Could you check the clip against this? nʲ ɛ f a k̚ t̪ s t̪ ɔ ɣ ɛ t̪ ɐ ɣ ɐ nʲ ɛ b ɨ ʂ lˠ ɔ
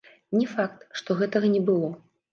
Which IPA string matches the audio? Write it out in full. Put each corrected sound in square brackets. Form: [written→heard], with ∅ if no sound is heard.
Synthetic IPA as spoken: nʲ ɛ f a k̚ t̪ [s→ʂ] t̪ ɔ ɣ ɛ t̪ ɐ ɣ ɐ nʲ ɛ b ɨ [ʂ→∅] lˠ ɔ